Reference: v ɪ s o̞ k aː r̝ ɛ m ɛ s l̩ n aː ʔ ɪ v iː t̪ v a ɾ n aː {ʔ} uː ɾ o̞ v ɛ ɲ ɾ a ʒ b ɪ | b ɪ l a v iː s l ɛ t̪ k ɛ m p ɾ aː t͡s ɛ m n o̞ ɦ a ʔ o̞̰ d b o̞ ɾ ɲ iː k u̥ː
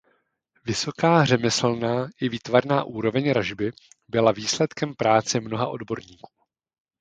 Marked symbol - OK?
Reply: yes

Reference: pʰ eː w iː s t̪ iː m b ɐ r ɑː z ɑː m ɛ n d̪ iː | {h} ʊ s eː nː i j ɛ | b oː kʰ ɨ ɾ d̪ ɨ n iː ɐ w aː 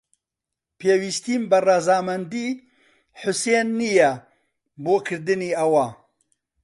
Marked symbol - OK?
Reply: no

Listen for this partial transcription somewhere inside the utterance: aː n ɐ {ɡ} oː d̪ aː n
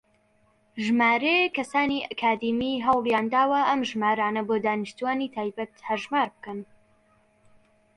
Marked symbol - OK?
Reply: no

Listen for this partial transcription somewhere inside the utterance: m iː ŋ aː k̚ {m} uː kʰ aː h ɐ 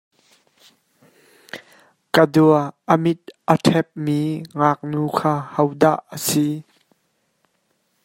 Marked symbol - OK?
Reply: no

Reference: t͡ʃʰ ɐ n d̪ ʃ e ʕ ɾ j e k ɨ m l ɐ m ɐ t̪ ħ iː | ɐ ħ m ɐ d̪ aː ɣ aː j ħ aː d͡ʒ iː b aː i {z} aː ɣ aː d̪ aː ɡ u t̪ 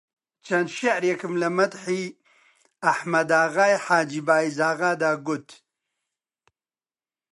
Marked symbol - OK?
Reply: yes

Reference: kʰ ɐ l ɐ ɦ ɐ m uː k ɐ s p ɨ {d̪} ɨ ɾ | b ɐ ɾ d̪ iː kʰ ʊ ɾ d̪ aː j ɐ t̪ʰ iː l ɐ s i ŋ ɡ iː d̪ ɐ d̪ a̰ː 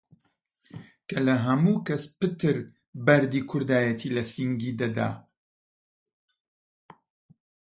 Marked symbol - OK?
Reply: no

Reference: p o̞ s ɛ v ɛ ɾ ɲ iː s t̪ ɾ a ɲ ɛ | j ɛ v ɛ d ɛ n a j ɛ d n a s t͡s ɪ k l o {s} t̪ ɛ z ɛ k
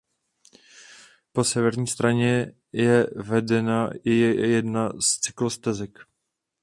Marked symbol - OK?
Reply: yes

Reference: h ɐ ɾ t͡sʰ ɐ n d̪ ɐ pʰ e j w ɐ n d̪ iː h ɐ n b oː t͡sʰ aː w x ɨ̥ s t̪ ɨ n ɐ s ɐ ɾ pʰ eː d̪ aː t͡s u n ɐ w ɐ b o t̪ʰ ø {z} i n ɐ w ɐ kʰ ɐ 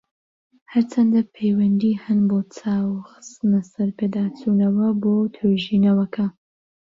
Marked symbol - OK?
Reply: no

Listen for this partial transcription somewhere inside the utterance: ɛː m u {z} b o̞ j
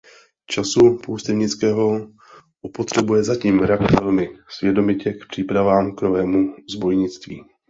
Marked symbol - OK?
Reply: yes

